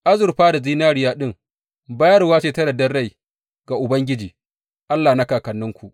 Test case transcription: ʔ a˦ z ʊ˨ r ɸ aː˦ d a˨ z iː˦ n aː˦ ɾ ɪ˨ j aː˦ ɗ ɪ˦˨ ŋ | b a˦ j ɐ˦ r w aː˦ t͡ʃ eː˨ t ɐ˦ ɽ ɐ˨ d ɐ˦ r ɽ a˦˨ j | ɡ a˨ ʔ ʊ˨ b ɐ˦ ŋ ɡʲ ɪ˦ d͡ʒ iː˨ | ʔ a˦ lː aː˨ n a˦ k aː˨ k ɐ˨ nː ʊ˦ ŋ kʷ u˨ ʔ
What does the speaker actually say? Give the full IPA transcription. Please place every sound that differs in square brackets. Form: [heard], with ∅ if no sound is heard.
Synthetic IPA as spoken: ʔ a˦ z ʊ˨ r ɸ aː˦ d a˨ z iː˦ n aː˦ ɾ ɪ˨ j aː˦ ɗ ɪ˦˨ ŋ | b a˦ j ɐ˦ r w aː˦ t͡ʃ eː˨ t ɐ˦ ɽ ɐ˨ d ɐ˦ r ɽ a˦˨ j | ɡ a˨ ʔ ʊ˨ b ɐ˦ ŋ ɡʲ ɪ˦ d͡ʒ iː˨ | ʔ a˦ lː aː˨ n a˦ k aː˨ k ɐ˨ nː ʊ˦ ŋ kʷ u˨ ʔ